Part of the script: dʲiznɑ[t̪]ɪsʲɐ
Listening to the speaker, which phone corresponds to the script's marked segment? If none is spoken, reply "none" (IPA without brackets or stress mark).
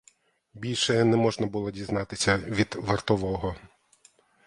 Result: t̪